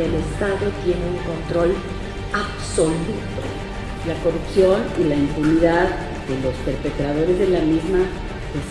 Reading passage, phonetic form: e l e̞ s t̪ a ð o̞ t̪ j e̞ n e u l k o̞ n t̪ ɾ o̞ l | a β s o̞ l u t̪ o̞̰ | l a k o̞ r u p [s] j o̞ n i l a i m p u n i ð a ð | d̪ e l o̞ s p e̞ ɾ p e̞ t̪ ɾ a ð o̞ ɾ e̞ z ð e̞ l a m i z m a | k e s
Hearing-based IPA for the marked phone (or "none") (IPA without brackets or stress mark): s